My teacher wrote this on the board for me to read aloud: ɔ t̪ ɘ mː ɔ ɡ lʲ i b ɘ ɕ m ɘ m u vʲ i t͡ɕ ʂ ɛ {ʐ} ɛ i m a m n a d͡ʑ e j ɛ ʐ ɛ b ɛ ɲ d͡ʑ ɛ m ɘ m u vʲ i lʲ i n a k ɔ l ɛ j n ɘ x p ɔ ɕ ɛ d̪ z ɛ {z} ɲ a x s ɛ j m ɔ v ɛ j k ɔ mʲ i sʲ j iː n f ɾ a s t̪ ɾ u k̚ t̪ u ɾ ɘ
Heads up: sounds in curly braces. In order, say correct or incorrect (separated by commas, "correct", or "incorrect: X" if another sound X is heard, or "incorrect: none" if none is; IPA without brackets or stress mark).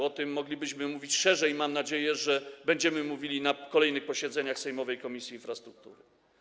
correct, incorrect: none